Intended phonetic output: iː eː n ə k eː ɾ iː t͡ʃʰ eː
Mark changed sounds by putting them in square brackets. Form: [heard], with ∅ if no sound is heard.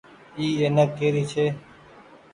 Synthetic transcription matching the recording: iː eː n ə k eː ɾ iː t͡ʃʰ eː